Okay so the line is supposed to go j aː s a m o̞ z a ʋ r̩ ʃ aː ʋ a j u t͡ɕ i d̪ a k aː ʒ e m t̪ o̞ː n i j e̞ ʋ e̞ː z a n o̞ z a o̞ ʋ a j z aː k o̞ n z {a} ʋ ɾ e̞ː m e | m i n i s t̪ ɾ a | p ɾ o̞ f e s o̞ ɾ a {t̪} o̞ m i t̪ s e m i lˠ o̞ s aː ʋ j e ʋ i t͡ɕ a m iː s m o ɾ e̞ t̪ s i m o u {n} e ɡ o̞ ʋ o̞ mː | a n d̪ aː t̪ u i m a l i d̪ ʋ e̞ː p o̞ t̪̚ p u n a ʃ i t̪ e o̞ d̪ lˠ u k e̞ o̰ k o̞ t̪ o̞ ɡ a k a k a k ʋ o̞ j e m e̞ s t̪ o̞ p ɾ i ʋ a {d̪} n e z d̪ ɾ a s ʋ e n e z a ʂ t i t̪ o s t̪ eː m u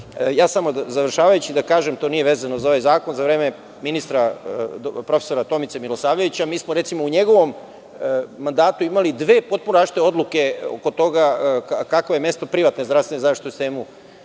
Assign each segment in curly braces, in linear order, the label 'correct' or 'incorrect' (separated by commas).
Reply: correct, correct, incorrect, incorrect